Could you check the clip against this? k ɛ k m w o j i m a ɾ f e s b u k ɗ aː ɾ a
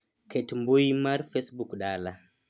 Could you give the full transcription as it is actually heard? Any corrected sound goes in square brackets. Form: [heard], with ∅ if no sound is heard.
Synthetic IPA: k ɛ [t] m [b] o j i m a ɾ f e s b u k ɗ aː [l] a